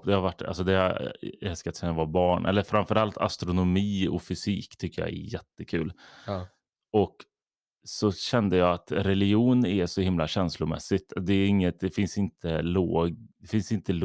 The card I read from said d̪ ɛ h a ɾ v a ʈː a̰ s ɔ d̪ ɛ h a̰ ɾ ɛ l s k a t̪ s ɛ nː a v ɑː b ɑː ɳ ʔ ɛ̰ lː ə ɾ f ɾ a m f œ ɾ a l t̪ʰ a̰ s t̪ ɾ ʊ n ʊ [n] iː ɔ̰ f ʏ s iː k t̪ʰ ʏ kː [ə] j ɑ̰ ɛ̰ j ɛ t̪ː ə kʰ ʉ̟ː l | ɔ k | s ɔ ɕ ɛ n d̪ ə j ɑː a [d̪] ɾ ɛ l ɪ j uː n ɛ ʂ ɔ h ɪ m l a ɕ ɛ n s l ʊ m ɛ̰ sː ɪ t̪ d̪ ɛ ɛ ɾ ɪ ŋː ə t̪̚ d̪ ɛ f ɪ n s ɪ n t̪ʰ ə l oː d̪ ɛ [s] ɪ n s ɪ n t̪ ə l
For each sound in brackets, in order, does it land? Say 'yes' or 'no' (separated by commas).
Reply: no, yes, no, no